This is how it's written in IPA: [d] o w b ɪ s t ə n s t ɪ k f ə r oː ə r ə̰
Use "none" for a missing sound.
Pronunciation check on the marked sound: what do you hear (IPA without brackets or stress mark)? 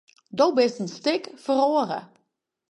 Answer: d